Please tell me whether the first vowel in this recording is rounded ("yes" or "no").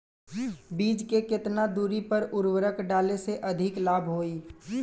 no